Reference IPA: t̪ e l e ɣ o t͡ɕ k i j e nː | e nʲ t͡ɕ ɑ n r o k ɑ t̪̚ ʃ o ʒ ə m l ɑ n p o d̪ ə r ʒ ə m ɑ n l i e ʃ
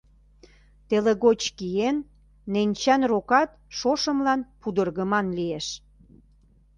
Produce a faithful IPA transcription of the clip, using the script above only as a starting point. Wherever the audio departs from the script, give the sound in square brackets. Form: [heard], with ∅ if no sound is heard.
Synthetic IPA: t̪ e l e ɣ o t͡ɕ k i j e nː | e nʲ t͡ɕ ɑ n r o k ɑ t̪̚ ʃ o [ʃ] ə m l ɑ n p [u] d̪ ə r [ɣ] ə m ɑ n l i e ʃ